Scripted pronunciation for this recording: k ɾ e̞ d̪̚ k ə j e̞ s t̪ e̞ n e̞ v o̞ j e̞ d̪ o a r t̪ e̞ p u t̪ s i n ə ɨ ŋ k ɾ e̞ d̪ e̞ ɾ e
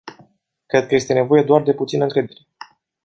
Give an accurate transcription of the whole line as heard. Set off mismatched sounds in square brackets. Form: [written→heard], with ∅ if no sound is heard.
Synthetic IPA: k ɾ e̞ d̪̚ k ə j e̞ s t̪ e̞ n e̞ v o̞ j e̞ d̪ o a r [t̪→d̪] e̞ p u t̪ s i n ə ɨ ŋ k ɾ e̞ d̪ e̞ ɾ e